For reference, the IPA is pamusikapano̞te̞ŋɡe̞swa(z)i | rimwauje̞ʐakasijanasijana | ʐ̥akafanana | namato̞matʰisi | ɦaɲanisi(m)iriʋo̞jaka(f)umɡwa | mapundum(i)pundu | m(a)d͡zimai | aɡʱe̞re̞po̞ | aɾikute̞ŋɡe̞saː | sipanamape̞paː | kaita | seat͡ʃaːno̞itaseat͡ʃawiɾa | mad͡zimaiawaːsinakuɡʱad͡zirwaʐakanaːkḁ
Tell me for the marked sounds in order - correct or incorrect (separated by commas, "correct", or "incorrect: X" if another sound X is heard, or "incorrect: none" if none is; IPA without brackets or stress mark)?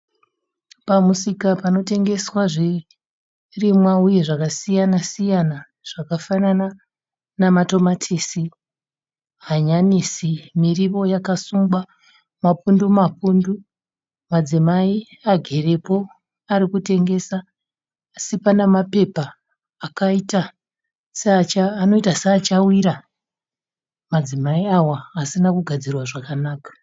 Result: incorrect: ʐ, correct, incorrect: s, incorrect: a, correct